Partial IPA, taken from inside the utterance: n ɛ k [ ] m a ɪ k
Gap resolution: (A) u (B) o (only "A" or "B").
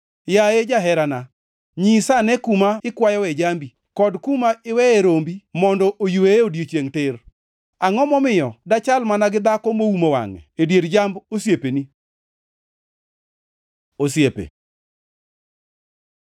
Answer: A